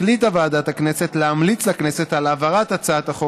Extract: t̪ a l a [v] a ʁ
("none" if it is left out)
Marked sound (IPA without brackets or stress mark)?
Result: v